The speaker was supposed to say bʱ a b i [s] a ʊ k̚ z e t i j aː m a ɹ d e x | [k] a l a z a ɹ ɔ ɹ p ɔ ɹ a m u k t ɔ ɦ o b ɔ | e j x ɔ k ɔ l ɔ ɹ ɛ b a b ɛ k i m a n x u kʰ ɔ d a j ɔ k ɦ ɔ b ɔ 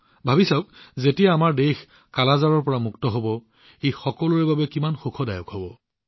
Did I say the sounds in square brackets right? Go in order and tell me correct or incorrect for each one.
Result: correct, correct

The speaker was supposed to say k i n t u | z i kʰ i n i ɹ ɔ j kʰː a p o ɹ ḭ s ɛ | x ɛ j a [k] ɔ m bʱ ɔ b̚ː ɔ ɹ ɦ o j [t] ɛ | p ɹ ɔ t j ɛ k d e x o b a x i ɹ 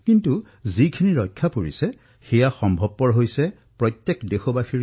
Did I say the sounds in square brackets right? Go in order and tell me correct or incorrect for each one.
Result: incorrect, incorrect

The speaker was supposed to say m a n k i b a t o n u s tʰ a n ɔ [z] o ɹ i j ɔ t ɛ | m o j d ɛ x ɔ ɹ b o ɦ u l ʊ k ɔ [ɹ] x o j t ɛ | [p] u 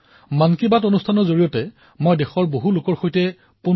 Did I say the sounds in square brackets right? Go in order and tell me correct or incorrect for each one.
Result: correct, correct, correct

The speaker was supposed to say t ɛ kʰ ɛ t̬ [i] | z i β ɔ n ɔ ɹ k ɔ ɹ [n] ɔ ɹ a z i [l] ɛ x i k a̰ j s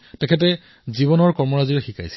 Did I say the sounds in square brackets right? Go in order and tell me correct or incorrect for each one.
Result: incorrect, incorrect, incorrect

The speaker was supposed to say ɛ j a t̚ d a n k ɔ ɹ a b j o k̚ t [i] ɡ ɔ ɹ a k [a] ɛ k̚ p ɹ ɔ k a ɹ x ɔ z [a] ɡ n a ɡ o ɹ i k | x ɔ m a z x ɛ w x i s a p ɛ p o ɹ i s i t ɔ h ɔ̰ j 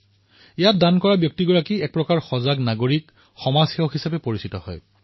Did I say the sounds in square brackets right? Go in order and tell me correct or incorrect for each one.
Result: correct, incorrect, correct

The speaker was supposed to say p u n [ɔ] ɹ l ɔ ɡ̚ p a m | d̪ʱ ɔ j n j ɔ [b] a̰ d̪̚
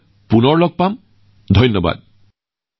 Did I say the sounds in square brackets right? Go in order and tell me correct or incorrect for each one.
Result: correct, correct

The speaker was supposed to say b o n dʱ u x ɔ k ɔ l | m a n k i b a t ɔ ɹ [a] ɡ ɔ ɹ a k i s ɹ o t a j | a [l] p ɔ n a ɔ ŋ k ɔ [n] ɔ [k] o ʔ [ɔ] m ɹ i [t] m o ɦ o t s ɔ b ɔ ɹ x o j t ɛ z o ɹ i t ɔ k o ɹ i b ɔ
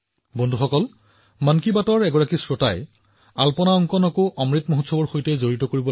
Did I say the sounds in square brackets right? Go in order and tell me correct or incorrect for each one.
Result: incorrect, correct, correct, correct, correct, correct

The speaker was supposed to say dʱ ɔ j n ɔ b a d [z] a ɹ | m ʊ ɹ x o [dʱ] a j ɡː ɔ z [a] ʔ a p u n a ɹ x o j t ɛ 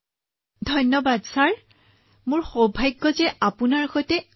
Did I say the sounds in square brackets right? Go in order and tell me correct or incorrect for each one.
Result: incorrect, incorrect, incorrect

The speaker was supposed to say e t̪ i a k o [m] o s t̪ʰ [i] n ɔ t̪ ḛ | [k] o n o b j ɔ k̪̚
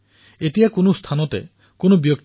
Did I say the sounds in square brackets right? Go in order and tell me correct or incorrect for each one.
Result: incorrect, incorrect, correct

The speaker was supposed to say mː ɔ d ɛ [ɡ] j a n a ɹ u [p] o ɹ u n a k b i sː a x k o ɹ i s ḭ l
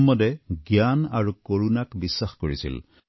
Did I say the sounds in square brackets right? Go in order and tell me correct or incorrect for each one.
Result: correct, incorrect

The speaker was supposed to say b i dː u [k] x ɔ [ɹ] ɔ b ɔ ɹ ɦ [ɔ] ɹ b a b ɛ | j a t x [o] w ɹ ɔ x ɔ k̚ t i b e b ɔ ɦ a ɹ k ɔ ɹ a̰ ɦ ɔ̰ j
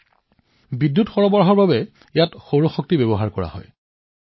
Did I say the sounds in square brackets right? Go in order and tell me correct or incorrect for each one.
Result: incorrect, correct, correct, correct

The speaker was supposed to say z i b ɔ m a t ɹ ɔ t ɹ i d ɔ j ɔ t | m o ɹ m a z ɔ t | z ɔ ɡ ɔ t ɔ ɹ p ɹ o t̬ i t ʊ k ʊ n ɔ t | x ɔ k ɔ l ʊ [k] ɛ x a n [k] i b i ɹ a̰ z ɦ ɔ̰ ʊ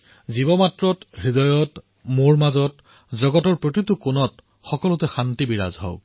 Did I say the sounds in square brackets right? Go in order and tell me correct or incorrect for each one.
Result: incorrect, incorrect

